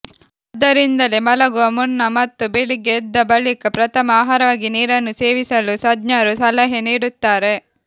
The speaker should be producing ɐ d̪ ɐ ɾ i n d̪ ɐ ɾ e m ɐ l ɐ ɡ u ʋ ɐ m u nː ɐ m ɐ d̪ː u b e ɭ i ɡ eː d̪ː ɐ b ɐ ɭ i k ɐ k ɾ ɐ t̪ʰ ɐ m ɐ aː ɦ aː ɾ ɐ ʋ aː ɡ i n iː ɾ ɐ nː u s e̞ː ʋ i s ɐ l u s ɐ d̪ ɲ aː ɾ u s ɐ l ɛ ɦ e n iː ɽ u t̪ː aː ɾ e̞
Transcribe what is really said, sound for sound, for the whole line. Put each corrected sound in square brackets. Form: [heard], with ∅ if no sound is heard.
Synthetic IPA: ɐ d̪ ɐ ɾ i n d̪ ɐ [l] e m ɐ l ɐ ɡ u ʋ ɐ m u nː ɐ m ɐ [t̪ː] u b e ɭ i ɡ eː d̪ː ɐ b ɐ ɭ i k ɐ [p] ɾ ɐ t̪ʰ ɐ m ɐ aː ɦ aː ɾ ɐ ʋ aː ɡ i n iː ɾ ɐ nː u s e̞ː ʋ i s ɐ l u s ɐ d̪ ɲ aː ɾ u s ɐ l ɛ ɦ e n iː ɽ u t̪ː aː ɾ e̞